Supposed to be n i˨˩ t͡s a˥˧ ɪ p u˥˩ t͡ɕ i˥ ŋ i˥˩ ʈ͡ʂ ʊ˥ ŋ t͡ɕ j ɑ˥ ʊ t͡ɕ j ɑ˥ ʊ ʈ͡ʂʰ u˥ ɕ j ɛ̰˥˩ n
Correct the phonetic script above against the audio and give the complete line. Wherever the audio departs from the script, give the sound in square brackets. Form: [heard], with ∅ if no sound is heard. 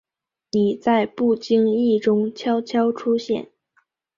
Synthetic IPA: n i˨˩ t͡s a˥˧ ɪ p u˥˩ t͡ɕ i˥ ŋ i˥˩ ʈ͡ʂ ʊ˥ ŋ [t͡ɕʰ] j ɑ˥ ʊ [t͡ɕʰ] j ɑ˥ ʊ ʈ͡ʂʰ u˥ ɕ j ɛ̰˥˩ n